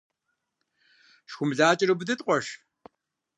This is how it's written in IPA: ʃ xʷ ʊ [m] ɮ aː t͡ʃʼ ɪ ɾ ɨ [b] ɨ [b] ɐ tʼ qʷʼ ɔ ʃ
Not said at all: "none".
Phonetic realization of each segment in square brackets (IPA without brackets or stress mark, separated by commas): m, b, d